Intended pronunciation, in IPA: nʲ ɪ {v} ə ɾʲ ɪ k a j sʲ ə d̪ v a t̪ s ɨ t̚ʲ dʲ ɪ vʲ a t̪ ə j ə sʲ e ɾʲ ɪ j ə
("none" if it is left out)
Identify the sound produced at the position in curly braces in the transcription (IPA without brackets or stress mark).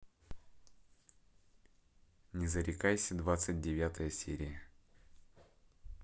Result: z